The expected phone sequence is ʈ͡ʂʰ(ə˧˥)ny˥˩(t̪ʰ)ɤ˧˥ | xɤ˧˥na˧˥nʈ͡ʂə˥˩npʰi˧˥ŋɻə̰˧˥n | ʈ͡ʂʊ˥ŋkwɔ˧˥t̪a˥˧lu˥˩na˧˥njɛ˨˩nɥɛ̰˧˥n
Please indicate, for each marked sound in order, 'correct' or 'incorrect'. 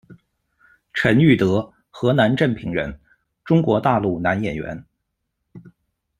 correct, incorrect

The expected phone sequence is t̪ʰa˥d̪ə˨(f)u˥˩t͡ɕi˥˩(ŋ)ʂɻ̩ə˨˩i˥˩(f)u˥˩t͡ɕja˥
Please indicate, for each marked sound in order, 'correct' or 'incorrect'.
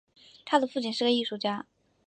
correct, incorrect, incorrect

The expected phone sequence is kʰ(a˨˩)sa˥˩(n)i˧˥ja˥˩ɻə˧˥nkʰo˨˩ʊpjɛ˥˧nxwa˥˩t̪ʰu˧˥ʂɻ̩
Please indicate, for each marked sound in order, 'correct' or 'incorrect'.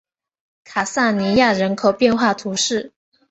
correct, correct

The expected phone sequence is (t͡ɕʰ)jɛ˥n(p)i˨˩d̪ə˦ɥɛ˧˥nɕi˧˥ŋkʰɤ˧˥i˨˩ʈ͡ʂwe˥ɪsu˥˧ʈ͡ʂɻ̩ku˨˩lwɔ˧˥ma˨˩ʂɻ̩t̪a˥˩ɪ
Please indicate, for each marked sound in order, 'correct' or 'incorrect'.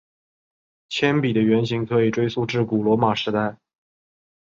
correct, correct

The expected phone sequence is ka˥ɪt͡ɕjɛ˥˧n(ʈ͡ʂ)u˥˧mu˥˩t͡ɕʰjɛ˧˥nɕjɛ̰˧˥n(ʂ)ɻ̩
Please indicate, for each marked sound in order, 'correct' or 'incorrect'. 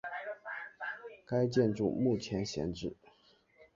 correct, incorrect

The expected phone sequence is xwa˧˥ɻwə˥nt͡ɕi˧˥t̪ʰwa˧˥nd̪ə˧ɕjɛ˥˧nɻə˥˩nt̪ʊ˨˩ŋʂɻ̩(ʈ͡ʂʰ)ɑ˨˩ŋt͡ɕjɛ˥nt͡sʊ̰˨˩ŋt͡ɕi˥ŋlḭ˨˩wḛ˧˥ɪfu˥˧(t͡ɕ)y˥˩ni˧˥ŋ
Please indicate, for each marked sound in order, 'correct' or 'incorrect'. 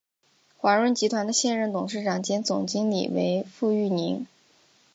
incorrect, incorrect

